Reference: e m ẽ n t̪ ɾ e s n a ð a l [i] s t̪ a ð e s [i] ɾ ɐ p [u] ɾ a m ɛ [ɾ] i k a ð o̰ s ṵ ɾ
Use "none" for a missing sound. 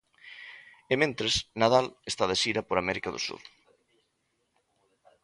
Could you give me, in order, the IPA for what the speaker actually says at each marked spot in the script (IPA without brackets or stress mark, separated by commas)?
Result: e, i, o, ɾ